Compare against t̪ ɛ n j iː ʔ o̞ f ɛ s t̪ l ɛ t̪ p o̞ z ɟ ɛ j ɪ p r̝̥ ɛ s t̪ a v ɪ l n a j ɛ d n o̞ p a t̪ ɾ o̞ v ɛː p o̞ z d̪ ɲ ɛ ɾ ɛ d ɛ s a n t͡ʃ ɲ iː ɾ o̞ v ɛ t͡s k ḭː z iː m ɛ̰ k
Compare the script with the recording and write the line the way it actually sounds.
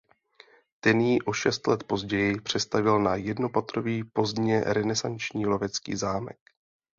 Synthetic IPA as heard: t̪ ɛ n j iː ʔ o̞ ʃ ɛ s t̪ l ɛ t̪ p o̞ z ɟ ɛ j ɪ p r̝̥ ɛ s t̪ a v ɪ l n a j ɛ d n o̞ p a t̪ ɾ o̞ v iː p o̞ z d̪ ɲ ɛ ɾ ɛ n ɛ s a n t͡ʃ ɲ iː l o̞ v ɛ t͡s k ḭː z aː m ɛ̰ k